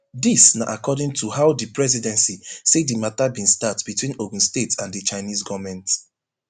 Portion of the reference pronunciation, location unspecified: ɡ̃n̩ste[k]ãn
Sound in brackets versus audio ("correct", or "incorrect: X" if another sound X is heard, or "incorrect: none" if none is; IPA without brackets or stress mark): incorrect: t